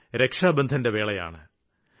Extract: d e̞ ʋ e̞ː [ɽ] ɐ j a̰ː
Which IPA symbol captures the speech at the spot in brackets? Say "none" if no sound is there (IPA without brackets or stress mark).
ɭ